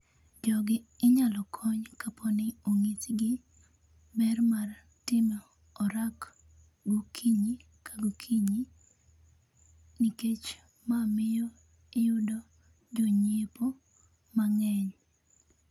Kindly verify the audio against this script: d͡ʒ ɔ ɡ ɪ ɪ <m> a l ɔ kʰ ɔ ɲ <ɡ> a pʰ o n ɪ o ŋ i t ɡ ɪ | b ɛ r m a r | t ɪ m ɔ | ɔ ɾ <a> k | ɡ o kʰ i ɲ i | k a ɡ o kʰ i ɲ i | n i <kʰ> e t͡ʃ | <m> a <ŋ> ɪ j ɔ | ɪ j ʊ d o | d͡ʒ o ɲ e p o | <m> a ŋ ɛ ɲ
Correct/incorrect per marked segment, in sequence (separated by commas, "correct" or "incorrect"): incorrect, incorrect, correct, incorrect, correct, incorrect, correct